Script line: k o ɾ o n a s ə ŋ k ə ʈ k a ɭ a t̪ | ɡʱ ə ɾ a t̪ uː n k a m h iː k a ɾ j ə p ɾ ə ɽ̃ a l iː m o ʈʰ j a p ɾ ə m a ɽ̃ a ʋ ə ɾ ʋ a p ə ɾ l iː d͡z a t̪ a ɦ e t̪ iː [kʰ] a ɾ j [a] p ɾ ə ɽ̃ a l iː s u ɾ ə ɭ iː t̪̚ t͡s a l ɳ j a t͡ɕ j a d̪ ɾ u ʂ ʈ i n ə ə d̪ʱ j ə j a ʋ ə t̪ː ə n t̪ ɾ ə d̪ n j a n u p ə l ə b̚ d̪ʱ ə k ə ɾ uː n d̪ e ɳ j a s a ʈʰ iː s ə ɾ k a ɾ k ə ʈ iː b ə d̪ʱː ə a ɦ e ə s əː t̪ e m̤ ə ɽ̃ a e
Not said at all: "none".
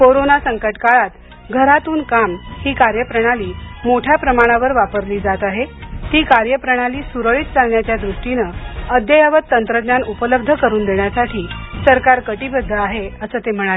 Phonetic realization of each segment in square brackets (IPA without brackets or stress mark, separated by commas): k, ə